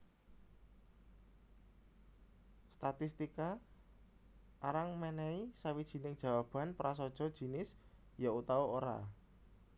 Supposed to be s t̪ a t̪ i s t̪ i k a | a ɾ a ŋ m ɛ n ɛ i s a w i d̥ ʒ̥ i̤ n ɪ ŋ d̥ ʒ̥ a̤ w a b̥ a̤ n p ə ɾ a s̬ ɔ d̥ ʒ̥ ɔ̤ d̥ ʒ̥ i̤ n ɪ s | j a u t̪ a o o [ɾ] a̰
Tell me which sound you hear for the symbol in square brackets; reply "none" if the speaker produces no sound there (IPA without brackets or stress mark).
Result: ɾ